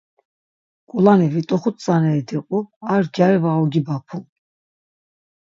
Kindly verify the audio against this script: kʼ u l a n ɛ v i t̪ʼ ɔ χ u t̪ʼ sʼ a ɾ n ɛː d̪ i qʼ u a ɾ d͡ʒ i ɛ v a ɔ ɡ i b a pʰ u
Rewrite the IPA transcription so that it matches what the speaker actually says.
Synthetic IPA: kʼ u l a n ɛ v i t̪ʼ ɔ χ u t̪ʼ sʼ a n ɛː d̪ i qʼ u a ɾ d͡ʒ a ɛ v a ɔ ɡ i b a pʰ u

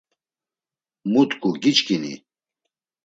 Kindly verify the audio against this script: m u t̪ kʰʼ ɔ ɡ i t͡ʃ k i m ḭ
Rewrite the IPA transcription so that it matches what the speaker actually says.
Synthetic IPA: m u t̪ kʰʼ u ɡ i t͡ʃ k i n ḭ

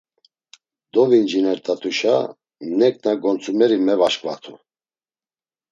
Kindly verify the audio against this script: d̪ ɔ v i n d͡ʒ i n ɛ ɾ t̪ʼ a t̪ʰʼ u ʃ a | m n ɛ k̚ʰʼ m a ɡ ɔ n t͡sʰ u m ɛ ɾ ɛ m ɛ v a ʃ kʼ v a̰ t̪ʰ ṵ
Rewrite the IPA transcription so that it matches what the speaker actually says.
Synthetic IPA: d̪ ɔ v i n d͡ʒ i n ɛ ɾ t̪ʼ a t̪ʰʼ u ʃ a | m n ɛ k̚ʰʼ n a ɡ ɔ n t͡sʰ u m ɛ ɾ i m ɛ v a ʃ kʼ v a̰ t̪ʰ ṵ

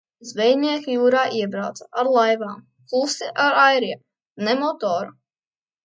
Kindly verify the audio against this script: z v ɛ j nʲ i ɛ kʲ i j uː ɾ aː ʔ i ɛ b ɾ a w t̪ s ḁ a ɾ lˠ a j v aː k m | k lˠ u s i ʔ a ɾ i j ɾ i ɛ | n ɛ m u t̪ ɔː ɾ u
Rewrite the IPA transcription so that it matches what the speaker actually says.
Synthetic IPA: z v ɛ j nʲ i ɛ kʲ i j uː ɾ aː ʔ i ɛ b ɾ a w t̪ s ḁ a ɾ lˠ a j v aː m | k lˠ u s i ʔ a ɾ a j ɾ i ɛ | n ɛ m ɔ t̪ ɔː ɾ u

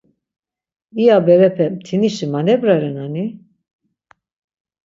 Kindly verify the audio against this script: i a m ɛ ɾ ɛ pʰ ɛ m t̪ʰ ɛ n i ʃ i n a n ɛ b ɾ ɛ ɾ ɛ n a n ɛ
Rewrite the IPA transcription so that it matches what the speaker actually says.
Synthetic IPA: i a b ɛ ɾ ɛ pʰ ɛ m t̪ʰ i n i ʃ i m a n ɛ b ɾ a ɾ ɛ n a n i

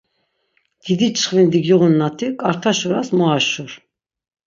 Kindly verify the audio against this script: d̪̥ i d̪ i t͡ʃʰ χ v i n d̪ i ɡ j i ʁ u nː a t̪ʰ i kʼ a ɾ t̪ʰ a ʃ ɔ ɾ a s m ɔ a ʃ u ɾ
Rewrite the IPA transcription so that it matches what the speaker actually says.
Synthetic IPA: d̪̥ i d̪ i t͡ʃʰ χ v i n d̪ i ɡ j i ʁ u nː a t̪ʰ i kʼ a ɾ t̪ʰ a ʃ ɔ ɾ a s m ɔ a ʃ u ɾ

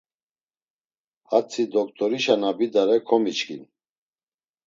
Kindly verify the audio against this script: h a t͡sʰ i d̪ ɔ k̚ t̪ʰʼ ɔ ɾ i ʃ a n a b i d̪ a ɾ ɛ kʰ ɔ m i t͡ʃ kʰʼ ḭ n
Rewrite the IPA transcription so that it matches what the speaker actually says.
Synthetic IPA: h a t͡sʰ i d̪ ɔ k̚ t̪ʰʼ ɔ ɾ i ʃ a n a b i d̪ a ɾ ɛ kʰ ɔ m i t͡ʃ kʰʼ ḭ n

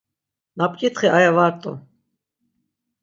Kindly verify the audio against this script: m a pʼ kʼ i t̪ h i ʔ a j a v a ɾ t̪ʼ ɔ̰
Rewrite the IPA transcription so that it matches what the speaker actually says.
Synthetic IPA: n a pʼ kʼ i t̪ χ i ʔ a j a v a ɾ t̪ʼ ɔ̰

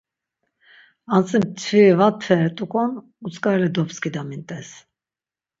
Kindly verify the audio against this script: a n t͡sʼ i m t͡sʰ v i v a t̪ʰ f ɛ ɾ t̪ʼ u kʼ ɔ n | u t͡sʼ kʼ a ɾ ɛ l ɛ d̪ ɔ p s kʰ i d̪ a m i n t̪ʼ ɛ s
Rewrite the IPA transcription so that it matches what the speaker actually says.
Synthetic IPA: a n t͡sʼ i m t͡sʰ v i v a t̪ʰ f ɛ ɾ t̪ʼ u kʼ ɔ n | u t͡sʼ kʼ a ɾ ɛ l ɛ d̪ ɔ p s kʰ i d̪ a m i n t̪ʼ ɛ s

